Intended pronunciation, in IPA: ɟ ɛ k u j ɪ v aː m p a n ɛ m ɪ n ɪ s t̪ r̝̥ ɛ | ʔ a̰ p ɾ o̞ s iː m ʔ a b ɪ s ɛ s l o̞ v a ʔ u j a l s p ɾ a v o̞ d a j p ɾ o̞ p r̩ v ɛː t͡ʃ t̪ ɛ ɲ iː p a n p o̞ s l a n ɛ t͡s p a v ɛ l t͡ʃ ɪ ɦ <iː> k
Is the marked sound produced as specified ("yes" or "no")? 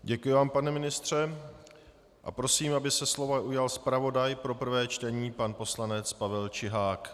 no